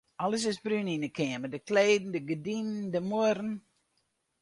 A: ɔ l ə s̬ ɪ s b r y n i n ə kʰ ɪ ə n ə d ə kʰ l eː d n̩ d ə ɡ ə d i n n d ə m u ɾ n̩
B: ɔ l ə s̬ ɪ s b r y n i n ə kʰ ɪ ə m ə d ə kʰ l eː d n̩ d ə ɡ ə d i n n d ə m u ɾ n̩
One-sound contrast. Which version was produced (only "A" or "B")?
B